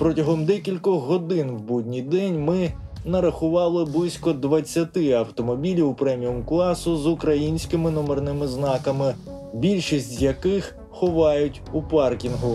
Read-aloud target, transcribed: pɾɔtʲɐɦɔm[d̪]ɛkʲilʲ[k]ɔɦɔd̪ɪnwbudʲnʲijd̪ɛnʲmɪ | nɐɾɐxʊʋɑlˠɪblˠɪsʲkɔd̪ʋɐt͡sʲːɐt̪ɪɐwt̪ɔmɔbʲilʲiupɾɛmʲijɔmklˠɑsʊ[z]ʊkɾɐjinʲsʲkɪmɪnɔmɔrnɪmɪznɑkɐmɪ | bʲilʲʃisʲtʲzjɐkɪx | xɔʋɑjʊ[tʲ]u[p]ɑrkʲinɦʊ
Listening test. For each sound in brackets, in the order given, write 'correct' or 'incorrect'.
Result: correct, correct, correct, correct, correct

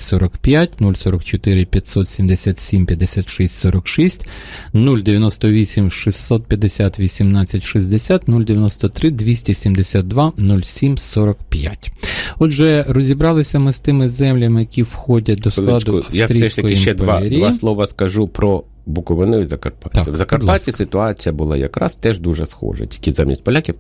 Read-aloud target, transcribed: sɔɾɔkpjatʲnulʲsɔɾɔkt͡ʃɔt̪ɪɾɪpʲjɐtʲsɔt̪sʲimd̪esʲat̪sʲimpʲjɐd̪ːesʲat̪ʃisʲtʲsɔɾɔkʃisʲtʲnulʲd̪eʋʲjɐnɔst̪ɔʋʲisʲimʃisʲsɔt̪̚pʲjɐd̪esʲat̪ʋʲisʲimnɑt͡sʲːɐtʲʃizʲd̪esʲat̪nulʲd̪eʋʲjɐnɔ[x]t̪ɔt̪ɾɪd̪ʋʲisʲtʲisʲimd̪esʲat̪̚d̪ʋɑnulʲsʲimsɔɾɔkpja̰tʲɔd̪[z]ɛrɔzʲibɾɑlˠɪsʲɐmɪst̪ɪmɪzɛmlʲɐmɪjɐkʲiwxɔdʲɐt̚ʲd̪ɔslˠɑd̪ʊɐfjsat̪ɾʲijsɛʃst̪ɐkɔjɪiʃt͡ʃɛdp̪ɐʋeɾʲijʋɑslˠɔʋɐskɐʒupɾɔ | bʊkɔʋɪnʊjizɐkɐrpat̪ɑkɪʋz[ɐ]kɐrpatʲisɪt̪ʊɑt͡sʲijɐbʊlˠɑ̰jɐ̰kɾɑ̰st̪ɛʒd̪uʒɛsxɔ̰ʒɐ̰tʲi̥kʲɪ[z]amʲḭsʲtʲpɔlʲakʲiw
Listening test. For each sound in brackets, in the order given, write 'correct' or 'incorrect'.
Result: incorrect: s, incorrect: ʒ, correct, correct

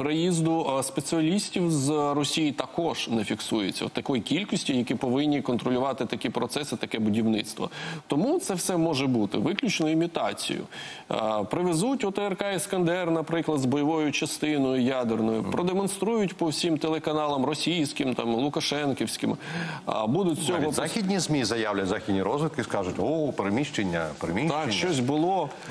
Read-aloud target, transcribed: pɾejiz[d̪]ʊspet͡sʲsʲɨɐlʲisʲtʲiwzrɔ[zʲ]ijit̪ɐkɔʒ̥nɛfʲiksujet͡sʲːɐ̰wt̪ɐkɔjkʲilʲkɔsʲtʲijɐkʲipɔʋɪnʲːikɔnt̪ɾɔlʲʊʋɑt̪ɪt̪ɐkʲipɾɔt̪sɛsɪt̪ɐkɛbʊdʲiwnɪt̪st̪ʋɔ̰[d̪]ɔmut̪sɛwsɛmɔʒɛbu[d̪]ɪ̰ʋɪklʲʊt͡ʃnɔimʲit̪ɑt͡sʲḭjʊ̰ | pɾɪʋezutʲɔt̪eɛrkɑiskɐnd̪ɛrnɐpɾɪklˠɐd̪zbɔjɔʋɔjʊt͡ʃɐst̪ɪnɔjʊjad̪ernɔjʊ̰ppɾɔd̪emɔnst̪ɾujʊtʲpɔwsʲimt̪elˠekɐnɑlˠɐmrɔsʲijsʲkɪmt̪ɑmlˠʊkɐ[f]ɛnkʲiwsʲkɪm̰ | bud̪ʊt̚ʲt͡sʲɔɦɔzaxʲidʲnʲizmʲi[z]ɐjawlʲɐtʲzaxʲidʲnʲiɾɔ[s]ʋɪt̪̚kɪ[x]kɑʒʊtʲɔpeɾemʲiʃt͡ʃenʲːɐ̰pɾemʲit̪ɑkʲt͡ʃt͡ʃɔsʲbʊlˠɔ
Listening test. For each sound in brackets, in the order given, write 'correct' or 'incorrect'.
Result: correct, incorrect: sʲ, incorrect: t̪, incorrect: t̪, incorrect: ʃ, correct, incorrect: z, incorrect: s

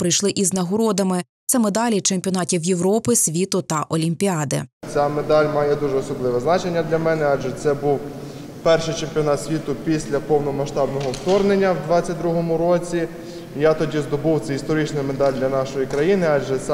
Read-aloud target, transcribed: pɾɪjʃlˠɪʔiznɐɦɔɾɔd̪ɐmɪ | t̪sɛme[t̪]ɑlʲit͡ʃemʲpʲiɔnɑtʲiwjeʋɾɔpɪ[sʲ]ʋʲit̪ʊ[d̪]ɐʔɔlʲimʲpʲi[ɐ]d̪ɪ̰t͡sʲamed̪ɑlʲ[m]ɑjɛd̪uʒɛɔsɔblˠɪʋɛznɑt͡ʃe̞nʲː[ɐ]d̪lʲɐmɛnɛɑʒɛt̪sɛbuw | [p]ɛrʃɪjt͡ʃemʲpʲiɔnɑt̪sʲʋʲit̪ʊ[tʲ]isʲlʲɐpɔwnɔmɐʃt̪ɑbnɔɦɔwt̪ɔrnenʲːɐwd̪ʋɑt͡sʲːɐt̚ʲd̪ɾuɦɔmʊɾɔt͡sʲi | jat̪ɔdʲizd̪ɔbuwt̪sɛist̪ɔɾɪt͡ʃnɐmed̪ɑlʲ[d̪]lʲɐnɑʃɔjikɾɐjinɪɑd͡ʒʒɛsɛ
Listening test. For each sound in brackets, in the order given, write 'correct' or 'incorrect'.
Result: incorrect: d̪, correct, incorrect: t̪, incorrect: ɑ, correct, correct, correct, incorrect: pʲ, correct

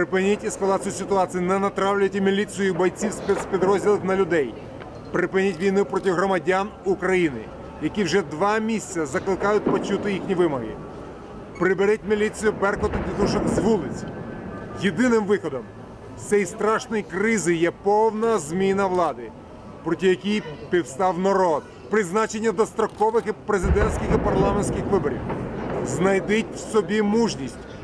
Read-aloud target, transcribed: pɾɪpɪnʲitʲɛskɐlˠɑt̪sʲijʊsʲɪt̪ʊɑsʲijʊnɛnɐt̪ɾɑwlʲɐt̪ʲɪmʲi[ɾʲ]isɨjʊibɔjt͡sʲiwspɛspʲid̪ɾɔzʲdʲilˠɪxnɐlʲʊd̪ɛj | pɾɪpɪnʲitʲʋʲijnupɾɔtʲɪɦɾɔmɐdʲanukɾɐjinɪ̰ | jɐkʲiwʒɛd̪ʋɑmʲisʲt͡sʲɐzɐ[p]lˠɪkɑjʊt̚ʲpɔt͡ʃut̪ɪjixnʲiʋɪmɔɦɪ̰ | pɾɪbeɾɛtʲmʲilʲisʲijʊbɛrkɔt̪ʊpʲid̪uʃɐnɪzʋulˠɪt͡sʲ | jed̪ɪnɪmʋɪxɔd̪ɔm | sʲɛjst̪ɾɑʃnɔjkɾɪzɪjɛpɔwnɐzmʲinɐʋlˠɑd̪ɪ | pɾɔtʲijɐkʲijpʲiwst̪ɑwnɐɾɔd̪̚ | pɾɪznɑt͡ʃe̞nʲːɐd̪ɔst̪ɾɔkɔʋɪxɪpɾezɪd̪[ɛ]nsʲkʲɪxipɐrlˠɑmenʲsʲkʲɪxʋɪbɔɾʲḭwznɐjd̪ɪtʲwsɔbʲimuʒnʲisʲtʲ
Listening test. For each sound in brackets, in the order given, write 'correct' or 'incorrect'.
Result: incorrect: lʲ, incorrect: k, correct

